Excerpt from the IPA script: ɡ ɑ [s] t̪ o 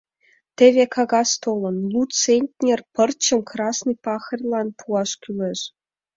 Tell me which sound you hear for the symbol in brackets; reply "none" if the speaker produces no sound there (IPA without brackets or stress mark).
s